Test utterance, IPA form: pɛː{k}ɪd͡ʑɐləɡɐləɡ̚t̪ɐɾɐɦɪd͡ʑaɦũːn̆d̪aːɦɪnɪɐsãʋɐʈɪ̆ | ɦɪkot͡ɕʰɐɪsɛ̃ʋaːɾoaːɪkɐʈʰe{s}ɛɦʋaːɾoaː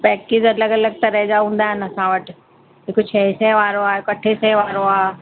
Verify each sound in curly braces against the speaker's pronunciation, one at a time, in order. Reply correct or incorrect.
correct, correct

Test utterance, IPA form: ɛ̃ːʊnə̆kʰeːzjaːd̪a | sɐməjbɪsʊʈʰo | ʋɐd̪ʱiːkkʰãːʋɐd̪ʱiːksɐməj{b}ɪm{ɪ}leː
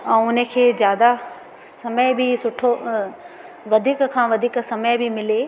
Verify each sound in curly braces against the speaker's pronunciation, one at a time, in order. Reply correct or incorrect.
correct, correct

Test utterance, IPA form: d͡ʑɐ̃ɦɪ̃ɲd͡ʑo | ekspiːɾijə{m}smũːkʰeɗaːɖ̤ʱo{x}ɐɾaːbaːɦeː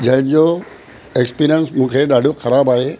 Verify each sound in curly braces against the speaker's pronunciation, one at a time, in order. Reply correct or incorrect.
incorrect: n, correct

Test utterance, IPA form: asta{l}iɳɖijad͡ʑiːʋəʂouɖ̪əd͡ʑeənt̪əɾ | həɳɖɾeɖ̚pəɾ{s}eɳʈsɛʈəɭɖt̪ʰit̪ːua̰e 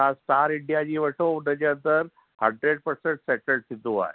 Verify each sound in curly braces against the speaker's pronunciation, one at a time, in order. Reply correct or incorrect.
incorrect: ɾ, correct

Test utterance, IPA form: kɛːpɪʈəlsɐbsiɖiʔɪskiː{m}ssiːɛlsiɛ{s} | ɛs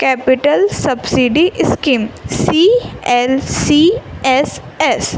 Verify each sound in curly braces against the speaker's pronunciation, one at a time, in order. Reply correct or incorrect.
correct, correct

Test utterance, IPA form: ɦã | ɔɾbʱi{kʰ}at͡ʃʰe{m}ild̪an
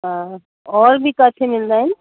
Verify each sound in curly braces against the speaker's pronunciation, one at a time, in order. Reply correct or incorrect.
incorrect: k, correct

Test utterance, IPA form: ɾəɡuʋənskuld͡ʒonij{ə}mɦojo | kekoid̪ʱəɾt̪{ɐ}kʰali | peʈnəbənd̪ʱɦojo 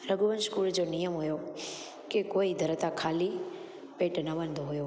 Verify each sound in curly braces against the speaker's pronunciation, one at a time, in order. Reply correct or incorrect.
correct, incorrect: a

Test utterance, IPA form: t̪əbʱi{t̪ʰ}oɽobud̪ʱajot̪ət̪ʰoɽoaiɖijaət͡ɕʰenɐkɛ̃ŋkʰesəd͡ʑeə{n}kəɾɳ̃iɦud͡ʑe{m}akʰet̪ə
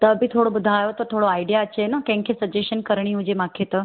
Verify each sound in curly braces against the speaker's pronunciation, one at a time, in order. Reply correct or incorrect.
correct, correct, correct

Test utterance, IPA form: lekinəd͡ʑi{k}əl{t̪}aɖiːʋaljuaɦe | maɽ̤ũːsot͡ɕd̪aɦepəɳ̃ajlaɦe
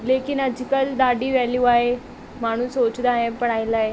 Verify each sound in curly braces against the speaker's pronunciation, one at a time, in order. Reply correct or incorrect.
correct, incorrect: d̪

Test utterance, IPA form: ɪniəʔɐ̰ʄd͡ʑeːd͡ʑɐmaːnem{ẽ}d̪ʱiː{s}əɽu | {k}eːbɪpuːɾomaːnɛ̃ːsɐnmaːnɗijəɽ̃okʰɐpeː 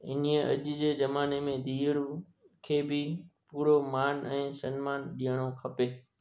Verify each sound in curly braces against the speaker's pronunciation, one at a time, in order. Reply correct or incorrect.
correct, incorrect: none, incorrect: kʰ

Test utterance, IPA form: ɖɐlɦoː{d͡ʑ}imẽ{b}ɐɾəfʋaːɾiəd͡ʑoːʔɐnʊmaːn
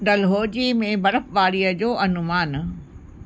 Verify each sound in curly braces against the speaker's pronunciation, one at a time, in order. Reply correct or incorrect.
correct, correct

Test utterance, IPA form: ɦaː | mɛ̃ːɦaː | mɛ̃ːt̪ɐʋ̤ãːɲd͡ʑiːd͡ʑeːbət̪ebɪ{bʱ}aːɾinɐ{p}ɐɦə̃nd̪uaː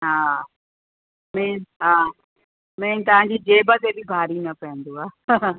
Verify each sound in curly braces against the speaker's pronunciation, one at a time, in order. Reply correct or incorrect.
correct, correct

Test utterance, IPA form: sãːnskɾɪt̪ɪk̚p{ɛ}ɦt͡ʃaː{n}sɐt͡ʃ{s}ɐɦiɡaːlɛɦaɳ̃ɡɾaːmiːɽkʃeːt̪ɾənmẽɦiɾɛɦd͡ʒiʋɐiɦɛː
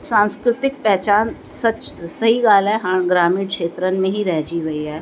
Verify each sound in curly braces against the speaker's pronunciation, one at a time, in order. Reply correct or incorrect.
correct, correct, correct

